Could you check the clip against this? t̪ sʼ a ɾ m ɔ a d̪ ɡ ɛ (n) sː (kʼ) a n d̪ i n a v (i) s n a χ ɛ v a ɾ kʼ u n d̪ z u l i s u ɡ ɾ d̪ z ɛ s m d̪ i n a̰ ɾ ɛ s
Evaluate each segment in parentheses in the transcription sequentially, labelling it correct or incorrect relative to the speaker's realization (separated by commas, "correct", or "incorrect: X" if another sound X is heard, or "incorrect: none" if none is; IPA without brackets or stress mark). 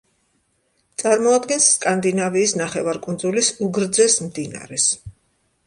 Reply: correct, correct, incorrect: iː